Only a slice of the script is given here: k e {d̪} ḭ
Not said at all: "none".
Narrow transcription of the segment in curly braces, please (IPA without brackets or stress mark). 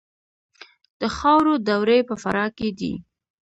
d̪